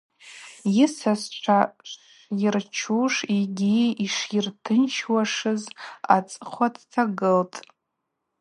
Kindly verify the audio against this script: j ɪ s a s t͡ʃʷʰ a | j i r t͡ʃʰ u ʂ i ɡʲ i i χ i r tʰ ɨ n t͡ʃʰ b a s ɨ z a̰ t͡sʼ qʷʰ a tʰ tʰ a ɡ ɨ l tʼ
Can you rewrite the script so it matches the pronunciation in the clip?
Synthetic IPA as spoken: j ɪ s a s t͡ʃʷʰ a | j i r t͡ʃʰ u ʂ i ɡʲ i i ʂ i r tʰ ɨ n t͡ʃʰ w a ʂ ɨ z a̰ t͡sʼ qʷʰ a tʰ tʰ a ɡ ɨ l tʼ